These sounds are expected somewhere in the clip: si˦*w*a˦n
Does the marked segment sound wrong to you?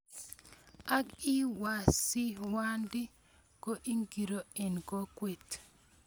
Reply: no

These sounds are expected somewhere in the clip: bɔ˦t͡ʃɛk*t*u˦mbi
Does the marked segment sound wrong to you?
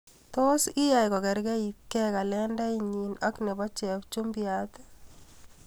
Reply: yes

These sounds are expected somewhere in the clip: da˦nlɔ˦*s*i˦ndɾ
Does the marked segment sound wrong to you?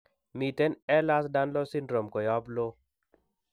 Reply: no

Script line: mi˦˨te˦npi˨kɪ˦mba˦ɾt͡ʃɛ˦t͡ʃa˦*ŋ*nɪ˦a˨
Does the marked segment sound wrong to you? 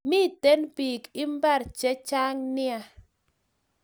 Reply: no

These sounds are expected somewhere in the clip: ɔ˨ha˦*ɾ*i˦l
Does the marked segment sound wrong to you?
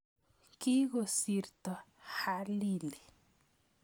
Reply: yes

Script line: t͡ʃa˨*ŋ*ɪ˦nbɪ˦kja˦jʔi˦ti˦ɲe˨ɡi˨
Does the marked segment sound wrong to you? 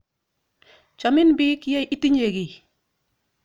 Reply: yes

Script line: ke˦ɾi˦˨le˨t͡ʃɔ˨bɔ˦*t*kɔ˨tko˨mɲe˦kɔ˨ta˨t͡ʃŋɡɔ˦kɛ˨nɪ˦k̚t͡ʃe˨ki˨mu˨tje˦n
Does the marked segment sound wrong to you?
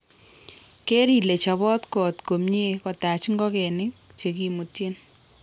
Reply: no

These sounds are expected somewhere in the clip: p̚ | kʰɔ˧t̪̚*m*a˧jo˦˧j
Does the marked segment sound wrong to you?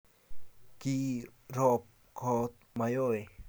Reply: no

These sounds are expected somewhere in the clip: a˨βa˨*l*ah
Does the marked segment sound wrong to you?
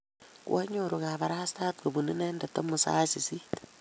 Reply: yes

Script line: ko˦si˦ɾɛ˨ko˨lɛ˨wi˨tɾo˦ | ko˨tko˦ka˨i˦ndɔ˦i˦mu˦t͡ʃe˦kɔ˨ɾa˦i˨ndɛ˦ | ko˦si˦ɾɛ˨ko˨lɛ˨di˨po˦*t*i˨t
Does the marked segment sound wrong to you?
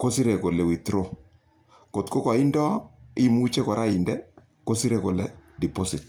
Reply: yes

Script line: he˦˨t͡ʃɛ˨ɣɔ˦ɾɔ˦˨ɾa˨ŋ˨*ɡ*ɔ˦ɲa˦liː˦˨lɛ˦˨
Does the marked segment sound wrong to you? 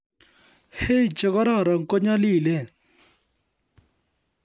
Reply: yes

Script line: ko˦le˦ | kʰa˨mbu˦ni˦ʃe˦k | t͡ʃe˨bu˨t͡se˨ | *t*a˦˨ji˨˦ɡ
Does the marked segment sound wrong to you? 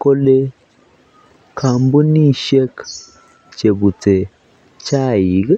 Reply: yes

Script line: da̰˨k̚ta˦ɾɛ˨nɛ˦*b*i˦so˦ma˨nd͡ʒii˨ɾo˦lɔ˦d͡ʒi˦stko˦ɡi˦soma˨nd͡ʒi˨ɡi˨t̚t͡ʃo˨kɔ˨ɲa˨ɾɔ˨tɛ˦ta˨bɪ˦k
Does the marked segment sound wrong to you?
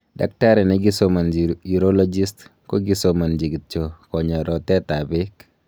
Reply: yes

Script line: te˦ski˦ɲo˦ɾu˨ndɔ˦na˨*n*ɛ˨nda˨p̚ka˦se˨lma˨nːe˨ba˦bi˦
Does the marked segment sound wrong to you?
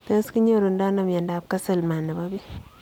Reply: yes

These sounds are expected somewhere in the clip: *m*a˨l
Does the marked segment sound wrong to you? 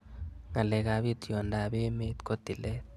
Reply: yes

